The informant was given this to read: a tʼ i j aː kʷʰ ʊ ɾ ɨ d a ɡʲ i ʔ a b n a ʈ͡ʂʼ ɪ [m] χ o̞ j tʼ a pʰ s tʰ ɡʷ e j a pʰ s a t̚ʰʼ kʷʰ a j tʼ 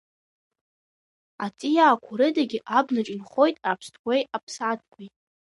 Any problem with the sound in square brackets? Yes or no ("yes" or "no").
yes